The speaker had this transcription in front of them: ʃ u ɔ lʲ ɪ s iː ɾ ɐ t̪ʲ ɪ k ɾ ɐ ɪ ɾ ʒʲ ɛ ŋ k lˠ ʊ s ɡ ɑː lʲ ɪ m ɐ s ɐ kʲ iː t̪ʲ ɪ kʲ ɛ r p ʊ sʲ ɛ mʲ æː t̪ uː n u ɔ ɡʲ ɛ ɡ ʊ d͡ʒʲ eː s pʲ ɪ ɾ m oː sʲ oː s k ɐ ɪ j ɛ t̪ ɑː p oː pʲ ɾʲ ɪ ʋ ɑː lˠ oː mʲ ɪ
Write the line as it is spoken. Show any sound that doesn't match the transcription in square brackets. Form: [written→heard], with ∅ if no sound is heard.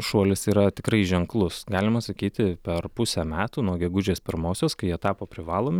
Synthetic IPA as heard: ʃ u ɔ lʲ ɪ s iː ɾ ɐ t̪ʲ ɪ k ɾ ɐ ɪ [ɾ→∅] ʒʲ ɛ ŋ k lˠ ʊ s ɡ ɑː lʲ ɪ m ɐ s ɐ kʲ iː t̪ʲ ɪ [kʲ→pʲ] ɛ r p ʊ sʲ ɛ mʲ æː t̪ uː n u ɔ ɡʲ ɛ ɡ ʊ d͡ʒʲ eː s pʲ ɪ ɾ m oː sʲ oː s k ɐ ɪ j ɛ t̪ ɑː p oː pʲ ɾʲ ɪ ʋ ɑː lˠ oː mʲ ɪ